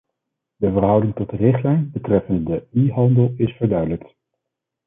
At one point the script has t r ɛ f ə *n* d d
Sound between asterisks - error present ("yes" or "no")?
no